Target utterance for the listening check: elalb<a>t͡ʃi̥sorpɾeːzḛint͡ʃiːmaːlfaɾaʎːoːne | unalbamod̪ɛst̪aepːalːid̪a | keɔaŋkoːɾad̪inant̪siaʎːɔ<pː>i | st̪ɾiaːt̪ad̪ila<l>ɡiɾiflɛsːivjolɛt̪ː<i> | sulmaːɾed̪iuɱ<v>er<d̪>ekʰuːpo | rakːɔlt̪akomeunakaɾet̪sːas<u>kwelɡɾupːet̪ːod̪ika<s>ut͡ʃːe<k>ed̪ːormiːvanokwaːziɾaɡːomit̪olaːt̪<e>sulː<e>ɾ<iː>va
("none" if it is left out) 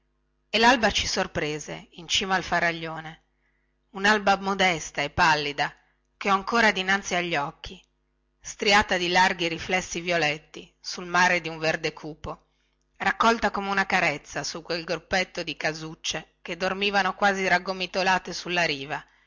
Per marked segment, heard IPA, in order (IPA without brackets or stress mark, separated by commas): a, kː, r, i, v, d̪, u, z, k, e, a, iː